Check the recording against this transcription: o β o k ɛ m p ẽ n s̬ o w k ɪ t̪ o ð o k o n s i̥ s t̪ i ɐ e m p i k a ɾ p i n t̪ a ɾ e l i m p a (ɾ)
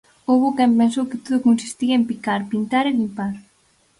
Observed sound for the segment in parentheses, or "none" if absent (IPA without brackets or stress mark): ɾ